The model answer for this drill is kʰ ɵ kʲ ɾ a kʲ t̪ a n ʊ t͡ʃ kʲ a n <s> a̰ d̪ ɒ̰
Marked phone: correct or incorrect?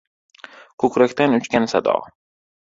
correct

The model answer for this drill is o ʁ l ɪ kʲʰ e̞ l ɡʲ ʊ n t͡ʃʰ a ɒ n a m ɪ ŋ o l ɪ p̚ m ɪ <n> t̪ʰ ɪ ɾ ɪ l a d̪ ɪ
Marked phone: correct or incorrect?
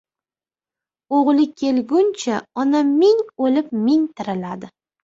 incorrect: ŋ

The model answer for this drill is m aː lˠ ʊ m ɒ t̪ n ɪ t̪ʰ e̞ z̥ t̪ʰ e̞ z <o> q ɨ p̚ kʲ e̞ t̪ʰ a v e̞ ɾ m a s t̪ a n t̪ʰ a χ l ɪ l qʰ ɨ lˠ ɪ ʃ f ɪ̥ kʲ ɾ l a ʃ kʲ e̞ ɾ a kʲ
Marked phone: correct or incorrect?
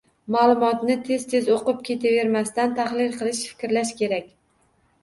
correct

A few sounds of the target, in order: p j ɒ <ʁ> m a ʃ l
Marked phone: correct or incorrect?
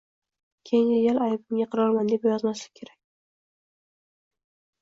incorrect: z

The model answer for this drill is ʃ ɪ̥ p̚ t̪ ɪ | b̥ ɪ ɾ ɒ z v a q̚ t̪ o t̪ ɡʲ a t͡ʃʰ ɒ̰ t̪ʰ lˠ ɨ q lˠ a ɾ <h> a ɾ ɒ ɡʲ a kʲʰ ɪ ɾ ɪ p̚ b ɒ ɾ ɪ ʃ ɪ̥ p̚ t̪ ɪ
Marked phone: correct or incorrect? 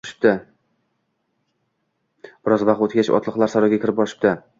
incorrect: s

